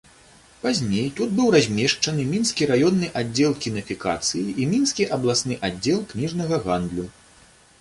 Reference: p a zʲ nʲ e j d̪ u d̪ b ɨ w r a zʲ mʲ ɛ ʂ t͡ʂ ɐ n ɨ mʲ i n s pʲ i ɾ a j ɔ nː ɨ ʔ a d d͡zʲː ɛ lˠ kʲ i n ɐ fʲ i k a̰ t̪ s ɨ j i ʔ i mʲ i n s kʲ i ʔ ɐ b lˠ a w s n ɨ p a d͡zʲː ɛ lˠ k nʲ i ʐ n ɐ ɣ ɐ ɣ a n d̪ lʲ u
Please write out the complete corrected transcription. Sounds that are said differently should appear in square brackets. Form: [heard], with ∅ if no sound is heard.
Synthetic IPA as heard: p a zʲ nʲ e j [t̪] u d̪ b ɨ w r a zʲ mʲ ɛ ʂ t͡ʂ ɐ n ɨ mʲ i n s [kʲ] i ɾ a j ɔ nː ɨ ʔ a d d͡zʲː ɛ lˠ kʲ i n ɐ fʲ i k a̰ t̪ s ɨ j i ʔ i mʲ i n s kʲ i ʔ ɐ b lˠ a [∅] s n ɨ [ʔ] a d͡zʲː ɛ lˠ k nʲ i ʐ n ɐ ɣ ɐ ɣ a n d̪ lʲ u